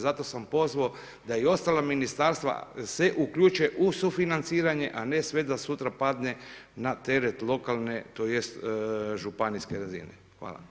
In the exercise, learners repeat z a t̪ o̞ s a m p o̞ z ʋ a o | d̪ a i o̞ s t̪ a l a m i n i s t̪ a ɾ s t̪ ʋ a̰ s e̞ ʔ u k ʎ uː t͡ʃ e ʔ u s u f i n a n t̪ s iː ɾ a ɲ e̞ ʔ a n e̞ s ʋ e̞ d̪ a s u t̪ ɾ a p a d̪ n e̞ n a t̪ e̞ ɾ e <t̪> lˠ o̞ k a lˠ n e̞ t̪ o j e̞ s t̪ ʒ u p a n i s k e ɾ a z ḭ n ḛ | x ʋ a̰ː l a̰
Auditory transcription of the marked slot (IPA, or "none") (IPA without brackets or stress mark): t̪